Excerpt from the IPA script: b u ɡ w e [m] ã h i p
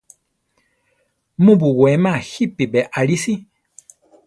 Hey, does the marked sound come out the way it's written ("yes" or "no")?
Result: yes